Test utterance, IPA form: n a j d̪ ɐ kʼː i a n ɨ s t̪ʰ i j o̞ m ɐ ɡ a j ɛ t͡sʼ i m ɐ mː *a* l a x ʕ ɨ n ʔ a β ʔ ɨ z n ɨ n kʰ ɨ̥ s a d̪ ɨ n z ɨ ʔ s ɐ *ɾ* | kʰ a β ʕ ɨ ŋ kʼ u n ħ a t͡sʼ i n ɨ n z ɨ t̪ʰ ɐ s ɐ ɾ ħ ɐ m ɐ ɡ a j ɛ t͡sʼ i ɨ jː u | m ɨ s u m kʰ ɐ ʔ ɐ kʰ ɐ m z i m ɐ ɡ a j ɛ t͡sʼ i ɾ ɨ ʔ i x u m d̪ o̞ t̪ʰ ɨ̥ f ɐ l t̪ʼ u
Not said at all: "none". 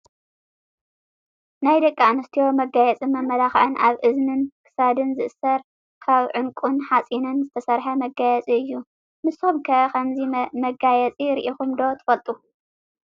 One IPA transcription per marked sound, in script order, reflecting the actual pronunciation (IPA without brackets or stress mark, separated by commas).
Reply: ɐ, ɾ